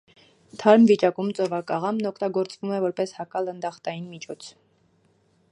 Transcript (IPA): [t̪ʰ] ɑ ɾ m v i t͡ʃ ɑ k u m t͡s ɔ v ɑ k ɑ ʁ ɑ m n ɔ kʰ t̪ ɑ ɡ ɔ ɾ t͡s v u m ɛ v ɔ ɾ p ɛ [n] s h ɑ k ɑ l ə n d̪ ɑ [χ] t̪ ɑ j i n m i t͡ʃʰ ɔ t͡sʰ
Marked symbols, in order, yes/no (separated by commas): yes, no, yes